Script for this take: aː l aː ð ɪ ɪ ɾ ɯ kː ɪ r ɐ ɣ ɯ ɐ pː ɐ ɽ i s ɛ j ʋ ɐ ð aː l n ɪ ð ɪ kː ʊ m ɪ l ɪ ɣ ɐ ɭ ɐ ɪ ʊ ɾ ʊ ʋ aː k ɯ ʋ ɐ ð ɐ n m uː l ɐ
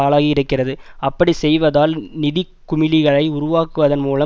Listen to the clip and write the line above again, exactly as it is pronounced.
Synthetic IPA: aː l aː ɣ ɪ ɪ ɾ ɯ kː ɪ r ɐ ð ɯ ɐ pː ɐ ɽ i s ɛ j ʋ ɐ ð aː l n ɪ ð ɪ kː ʊ m ɪ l ɪ ɣ ɐ ɭ ɐ ɪ ʊ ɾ ʊ ʋ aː k ɯ ʋ ɐ ð ɐ n m uː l ɐ

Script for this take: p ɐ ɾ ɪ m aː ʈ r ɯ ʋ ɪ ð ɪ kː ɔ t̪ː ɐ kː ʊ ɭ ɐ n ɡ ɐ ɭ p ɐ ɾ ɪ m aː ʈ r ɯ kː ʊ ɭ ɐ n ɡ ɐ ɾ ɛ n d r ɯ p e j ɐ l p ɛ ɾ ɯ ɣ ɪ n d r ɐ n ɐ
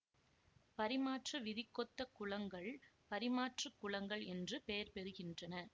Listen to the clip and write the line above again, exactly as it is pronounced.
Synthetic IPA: p ɐ ɾ ɪ m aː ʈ r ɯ ʋ ɪ ð ɪ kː ɔ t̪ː ɐ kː ʊ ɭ ɐ ŋ ɡ ɐ ɭ p ɐ ɾ ɪ m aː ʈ r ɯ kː ʊ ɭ ɐ ŋ ɡ ɐ ɭ ɛ n d r ɯ p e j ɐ ɾ p ɛ ɾ ɯ ɣ ɪ n d r ɐ n ɐ

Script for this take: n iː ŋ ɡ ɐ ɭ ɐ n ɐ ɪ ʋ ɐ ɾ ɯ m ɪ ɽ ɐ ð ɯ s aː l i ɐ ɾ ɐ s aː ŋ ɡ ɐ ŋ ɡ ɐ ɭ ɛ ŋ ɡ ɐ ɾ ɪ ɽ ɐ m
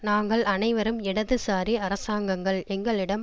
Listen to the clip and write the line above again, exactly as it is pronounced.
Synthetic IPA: n aː ŋ ɡ ɐ ɭ ɐ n ɐ ɪ ʋ ɐ ɾ ɯ m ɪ ɽ ɐ ð ɯ s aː ɾ i ɐ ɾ ɐ s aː ŋ ɡ ɐ ŋ ɡ ɐ ɭ ɛ ŋ ɡ ɐ ɭ ɪ ɽ ɐ m

